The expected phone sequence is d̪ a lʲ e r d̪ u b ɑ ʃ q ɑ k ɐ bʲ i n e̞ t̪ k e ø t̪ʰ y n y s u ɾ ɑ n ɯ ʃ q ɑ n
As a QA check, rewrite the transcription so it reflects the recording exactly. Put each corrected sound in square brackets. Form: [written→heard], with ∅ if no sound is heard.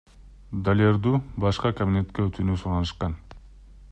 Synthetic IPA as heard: d̪ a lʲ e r d̪ u b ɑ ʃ q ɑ k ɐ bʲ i n e̞ t̪ k e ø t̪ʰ y n y s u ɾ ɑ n ɯ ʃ q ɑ n